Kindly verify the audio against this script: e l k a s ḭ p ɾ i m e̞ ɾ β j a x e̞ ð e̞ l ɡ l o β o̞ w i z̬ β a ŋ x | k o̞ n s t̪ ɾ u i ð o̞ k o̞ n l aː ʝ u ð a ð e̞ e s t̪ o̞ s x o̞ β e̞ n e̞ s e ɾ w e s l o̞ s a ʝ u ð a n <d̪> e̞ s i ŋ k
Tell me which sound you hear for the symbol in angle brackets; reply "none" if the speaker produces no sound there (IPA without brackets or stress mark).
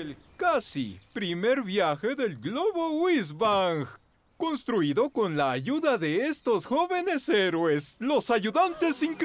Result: t̪